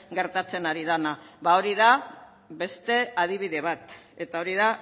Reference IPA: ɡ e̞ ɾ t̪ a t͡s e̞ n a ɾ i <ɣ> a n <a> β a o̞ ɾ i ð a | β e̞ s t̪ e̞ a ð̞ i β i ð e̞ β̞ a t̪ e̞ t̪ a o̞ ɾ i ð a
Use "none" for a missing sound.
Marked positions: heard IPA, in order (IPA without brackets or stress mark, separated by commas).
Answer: ð, a